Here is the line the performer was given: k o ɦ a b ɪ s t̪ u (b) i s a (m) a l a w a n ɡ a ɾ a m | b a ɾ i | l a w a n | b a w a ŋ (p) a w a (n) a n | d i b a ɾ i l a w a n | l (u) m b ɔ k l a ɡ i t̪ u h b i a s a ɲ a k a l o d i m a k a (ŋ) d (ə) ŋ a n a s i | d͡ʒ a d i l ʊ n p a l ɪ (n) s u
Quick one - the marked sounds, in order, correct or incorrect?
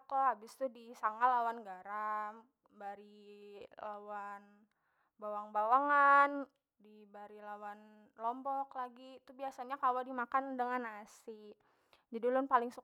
incorrect: d, incorrect: ŋ, incorrect: b, incorrect: ŋ, incorrect: ɔ, incorrect: n, correct, incorrect: ŋ

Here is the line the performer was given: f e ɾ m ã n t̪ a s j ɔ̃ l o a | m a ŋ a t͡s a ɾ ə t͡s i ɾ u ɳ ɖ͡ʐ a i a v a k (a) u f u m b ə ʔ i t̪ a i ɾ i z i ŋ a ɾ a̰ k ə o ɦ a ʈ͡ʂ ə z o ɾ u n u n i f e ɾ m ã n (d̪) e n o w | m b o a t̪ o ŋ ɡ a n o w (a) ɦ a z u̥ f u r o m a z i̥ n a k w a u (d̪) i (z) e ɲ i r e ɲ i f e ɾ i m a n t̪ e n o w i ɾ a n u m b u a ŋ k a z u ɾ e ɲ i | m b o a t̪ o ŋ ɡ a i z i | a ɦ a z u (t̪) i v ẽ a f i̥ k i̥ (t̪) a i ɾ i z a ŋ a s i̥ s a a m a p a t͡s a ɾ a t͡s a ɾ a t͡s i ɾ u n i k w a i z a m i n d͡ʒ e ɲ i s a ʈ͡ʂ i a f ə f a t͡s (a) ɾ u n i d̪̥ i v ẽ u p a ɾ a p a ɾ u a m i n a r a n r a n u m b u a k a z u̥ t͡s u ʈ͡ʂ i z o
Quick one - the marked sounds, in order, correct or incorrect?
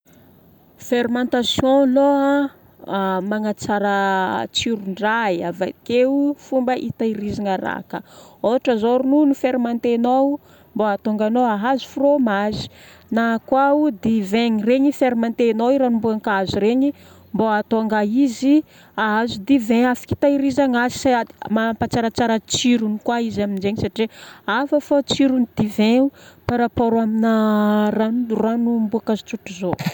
incorrect: e, incorrect: t̪, correct, correct, incorrect: v, incorrect: d̪, correct, incorrect: i

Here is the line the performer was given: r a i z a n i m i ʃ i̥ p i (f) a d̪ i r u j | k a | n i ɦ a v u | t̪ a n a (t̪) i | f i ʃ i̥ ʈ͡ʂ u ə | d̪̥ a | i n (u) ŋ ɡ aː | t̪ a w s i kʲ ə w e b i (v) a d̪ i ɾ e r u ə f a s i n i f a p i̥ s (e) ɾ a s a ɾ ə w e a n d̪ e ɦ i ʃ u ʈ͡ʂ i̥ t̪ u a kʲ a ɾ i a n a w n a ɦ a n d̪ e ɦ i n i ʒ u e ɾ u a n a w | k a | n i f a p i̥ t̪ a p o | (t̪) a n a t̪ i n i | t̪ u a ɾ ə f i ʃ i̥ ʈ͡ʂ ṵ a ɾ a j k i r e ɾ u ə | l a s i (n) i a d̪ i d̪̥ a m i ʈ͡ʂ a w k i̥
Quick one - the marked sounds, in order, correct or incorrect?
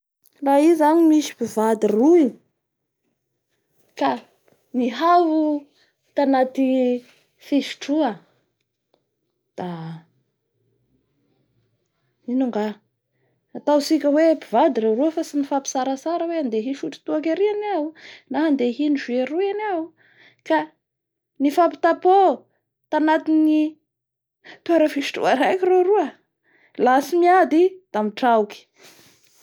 incorrect: v, correct, correct, correct, incorrect: a, correct, incorrect: m

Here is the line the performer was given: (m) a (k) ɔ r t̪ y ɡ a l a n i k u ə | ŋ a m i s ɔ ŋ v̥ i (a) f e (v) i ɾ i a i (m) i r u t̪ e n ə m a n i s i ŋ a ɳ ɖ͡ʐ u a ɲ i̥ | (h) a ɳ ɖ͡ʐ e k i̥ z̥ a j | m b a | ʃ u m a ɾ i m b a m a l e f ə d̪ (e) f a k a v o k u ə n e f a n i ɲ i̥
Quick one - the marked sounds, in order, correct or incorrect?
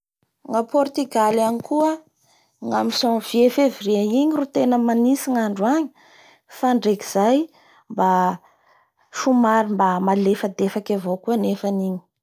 incorrect: ŋ, incorrect: p, incorrect: e, correct, incorrect: ɲ, incorrect: f, correct

